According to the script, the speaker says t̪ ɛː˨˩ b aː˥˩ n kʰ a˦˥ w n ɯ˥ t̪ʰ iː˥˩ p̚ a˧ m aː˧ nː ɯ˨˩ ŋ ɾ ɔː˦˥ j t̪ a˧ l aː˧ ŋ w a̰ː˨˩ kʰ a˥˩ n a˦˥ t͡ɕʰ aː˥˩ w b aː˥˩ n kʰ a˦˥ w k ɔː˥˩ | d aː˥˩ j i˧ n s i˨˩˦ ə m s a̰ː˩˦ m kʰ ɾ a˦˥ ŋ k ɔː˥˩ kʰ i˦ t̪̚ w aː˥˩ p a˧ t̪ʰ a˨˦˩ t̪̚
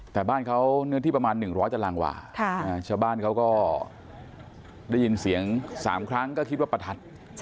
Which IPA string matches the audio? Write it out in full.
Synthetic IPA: t̪ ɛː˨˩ b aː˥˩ n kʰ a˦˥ w n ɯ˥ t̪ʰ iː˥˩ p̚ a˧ m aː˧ nː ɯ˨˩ ŋ ɾ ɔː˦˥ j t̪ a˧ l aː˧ ŋ w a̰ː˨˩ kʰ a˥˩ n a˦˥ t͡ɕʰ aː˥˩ w b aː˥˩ n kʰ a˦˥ w k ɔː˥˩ | d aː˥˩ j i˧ n s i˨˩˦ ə ŋ s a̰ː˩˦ m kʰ ɾ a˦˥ ŋ k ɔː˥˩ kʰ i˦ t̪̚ w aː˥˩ p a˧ t̪ʰ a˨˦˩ t̪̚

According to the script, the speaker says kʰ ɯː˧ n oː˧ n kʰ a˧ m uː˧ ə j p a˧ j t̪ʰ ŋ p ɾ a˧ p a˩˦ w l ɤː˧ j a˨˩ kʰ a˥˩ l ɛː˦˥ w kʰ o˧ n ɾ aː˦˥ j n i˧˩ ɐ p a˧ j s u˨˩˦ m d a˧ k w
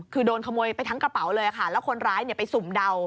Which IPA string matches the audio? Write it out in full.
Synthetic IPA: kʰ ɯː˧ d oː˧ n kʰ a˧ m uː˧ ə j p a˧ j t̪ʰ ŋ k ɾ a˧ p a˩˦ w l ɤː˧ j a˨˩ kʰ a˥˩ l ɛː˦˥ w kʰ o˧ n ɾ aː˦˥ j n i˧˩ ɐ p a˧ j s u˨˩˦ m d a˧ w

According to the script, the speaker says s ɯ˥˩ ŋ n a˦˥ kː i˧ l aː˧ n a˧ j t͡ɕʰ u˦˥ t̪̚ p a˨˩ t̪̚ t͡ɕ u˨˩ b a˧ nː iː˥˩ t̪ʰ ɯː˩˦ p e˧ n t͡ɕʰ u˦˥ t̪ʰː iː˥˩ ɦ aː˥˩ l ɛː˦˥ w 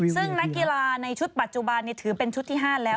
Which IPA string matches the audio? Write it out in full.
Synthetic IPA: s ɯ˥˩ ŋ n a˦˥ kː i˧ l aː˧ n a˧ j t͡ɕʰ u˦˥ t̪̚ p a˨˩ t̪̚ t͡ɕ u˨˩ b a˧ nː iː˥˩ t̪ʰ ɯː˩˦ p e˧ n t͡ɕʰ u˦˥ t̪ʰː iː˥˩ ɦ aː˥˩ l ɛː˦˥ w

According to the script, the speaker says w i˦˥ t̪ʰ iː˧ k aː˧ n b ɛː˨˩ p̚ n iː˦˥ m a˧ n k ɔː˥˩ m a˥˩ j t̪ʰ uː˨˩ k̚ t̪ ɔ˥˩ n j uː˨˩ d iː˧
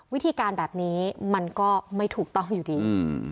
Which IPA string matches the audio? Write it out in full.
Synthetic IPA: w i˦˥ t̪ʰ iː˧ k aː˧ n b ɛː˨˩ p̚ n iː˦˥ m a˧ n k ɔː˥˩ m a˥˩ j t̪ʰ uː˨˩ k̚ t̪ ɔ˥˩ ŋ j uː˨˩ d iː˧

